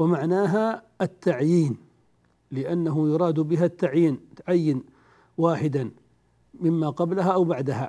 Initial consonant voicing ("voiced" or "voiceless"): voiced